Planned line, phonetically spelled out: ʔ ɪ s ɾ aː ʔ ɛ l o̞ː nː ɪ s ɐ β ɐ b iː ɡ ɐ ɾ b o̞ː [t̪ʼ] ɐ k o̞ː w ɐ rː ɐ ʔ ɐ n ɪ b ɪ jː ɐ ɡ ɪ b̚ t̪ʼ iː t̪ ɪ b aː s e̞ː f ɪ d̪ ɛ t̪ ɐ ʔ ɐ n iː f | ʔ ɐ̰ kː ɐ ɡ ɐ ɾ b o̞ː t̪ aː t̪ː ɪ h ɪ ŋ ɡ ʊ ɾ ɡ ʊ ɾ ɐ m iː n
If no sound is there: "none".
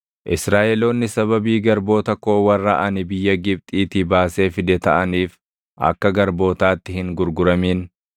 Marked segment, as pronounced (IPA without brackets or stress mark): t̪